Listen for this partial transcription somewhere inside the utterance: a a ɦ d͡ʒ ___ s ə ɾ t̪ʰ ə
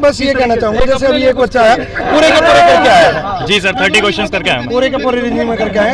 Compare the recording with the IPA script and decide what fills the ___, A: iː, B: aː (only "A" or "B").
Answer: A